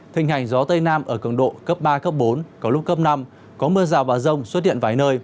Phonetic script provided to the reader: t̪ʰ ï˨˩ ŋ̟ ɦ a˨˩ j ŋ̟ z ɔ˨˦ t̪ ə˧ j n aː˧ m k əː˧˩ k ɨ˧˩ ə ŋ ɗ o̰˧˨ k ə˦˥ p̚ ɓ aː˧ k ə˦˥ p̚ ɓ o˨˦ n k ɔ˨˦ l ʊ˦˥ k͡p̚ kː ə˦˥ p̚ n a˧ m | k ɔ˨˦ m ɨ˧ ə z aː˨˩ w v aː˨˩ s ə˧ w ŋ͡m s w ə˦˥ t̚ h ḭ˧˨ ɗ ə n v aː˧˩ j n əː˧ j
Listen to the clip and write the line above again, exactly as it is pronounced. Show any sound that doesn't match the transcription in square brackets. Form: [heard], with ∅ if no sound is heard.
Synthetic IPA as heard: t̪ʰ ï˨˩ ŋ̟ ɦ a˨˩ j ŋ̟ z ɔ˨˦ t̪ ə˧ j n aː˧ m [ʔ] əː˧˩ k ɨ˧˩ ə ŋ ɗ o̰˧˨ k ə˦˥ p̚ ɓ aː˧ k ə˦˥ p̚ ɓ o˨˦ n k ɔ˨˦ l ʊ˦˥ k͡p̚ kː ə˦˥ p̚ n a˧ m | k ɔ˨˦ m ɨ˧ ə z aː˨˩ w v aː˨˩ [z] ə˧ w ŋ͡m s w ə˦˥ t̚ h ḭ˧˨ [∅] ə n v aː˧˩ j n əː˧ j